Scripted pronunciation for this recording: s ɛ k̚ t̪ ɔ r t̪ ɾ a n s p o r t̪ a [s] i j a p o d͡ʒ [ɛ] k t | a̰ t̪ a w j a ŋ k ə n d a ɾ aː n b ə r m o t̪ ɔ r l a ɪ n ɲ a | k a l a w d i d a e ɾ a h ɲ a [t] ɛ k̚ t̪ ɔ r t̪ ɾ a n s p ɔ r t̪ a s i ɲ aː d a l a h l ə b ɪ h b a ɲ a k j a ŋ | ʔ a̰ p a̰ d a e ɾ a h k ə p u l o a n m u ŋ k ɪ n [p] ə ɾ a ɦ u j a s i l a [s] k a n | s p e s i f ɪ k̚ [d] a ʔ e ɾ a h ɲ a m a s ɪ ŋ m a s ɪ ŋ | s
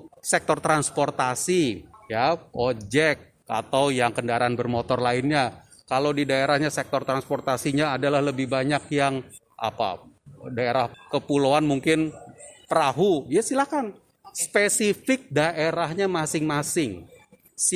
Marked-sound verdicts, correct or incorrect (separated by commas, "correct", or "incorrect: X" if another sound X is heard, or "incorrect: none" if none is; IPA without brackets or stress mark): correct, correct, incorrect: s, correct, incorrect: h, correct